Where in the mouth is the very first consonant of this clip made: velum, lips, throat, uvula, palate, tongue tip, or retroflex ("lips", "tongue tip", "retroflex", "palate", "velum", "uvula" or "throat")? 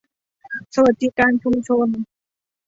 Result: tongue tip